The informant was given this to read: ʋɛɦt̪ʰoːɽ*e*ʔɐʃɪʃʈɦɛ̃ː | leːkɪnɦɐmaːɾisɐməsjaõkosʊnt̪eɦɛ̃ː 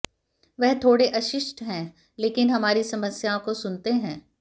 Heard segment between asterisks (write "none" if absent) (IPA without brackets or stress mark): e